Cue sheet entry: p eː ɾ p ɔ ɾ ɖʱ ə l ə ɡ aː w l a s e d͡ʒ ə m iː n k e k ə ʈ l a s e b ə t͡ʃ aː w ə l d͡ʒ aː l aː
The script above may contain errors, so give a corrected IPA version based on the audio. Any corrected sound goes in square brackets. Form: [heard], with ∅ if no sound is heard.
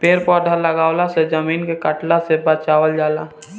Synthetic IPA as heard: p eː ɾ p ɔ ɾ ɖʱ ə l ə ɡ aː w l a s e d͡ʒ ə m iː n k e k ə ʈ l a s e b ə t͡ʃ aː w ə l d͡ʒ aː l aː